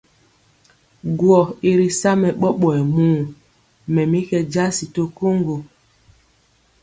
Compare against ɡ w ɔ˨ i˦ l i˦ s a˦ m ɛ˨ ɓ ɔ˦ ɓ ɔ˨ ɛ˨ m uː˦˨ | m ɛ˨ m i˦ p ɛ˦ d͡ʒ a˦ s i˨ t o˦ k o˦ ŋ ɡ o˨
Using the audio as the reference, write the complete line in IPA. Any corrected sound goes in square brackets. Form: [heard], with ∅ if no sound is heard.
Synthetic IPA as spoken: ɡ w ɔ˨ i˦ [ɾ] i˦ s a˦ m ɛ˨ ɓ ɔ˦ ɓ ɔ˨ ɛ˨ m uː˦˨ | m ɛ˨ m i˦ [k] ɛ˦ d͡ʒ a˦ s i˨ t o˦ k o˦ ŋ ɡ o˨